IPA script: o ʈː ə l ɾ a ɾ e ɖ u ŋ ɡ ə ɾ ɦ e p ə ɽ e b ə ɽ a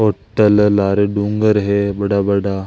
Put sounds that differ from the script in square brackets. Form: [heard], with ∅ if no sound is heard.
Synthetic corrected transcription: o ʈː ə l [l] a ɾ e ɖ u ŋ ɡ ə ɾ ɦ e [b] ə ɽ [a] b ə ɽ a